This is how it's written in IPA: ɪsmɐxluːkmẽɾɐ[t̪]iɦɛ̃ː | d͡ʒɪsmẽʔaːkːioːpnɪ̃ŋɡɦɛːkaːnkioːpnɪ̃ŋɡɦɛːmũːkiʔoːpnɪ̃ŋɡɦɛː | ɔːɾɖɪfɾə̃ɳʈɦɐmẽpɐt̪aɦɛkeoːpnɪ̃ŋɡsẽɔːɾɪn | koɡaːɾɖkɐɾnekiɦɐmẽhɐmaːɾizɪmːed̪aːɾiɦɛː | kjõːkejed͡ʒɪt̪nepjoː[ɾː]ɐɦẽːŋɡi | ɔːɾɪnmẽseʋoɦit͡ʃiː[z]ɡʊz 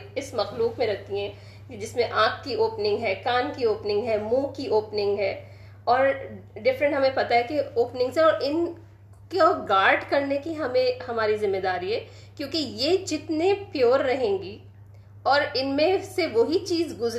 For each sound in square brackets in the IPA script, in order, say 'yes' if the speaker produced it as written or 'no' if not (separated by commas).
yes, yes, yes